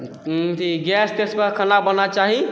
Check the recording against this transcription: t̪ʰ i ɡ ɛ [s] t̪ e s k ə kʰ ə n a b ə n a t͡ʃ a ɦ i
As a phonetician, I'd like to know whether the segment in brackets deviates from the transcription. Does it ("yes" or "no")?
no